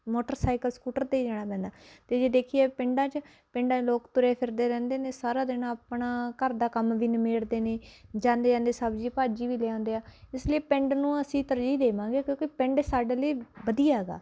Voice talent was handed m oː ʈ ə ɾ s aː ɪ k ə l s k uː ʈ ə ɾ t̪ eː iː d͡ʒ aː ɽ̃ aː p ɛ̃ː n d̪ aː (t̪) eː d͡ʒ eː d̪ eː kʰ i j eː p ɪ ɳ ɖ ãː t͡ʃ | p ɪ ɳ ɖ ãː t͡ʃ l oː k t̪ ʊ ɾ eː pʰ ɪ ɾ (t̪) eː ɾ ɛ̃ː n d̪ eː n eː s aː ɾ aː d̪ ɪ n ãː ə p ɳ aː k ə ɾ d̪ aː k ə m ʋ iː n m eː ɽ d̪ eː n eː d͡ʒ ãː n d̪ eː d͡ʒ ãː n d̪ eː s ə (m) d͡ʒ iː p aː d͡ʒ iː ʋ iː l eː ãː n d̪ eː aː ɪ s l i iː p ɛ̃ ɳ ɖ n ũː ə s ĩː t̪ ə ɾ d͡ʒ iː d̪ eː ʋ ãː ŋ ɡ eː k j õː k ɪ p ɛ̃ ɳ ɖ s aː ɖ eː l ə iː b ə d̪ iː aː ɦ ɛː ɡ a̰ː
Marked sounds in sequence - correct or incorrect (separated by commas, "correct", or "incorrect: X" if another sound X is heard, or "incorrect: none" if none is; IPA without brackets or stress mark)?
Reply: correct, incorrect: d̪, incorrect: b